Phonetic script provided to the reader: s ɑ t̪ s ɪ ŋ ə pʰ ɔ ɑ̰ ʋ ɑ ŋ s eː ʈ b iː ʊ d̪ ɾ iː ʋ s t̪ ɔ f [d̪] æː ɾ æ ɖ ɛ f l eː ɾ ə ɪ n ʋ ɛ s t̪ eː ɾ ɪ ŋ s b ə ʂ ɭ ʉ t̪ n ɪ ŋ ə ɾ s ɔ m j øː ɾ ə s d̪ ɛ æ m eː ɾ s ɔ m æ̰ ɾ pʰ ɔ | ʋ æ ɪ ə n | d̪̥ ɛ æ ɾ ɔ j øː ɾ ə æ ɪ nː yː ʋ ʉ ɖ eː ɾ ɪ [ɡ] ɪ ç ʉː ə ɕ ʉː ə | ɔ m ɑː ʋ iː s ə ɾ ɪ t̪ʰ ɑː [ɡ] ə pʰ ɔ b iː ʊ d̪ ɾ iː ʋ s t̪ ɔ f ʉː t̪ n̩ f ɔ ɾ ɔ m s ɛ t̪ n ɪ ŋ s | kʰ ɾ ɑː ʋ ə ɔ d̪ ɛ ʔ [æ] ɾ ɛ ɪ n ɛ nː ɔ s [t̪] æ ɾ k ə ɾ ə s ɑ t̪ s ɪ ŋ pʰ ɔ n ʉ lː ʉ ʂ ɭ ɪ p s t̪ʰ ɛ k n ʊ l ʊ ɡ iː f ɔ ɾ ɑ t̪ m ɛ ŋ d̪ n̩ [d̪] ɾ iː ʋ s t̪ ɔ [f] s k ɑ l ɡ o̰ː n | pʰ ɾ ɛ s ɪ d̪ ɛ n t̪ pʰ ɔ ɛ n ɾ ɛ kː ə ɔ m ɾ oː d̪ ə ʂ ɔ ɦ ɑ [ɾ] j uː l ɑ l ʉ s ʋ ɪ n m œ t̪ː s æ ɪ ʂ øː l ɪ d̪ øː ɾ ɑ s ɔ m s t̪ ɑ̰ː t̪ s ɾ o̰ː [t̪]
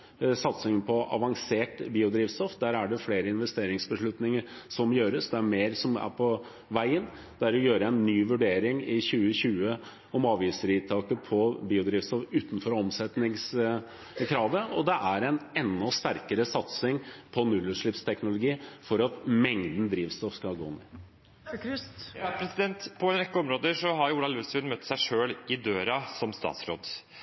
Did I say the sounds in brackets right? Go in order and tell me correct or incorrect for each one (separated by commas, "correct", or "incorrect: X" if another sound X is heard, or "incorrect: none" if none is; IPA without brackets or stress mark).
correct, incorrect: ŋ, incorrect: k, correct, correct, correct, correct, correct, incorrect: d̪